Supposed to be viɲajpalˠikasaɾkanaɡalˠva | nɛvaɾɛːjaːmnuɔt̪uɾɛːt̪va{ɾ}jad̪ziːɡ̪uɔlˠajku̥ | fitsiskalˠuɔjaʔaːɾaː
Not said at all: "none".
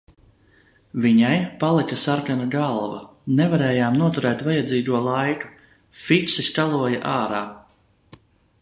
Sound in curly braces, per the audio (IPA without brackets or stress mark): none